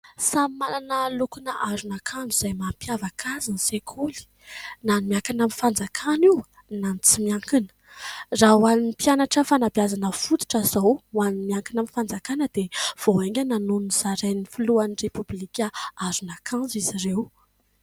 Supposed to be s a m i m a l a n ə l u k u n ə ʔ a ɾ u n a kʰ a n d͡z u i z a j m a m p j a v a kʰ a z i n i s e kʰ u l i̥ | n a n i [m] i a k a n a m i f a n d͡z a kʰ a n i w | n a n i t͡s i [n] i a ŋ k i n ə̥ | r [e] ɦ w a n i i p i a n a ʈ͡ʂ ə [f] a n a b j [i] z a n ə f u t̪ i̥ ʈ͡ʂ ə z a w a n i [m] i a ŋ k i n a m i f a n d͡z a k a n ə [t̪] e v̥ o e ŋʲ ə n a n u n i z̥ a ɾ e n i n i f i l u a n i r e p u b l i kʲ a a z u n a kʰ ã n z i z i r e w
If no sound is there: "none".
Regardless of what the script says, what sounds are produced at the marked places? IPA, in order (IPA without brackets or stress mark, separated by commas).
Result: m, m, a, f, a, m, d̪